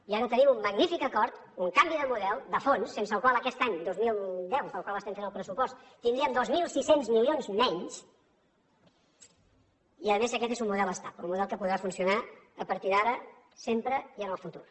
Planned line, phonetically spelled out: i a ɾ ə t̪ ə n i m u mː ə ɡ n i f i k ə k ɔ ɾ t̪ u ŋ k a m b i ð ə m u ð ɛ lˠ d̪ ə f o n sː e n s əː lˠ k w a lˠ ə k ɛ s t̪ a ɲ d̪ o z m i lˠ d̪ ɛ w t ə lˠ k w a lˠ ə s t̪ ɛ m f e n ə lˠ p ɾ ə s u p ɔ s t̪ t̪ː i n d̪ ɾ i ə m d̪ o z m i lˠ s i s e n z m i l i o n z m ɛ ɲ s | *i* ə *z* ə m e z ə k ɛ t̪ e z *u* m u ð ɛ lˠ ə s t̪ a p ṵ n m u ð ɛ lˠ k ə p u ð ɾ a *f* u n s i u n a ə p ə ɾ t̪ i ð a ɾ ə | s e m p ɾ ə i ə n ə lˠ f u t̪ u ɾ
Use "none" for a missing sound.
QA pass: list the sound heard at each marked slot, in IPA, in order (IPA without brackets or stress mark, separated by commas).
i, ð, u, f